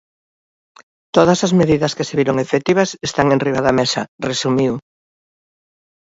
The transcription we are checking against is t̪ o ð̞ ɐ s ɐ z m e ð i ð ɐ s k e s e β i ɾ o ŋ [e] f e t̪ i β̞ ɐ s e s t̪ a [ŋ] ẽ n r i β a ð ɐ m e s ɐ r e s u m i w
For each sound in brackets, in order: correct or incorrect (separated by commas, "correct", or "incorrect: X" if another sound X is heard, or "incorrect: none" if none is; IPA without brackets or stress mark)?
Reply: correct, correct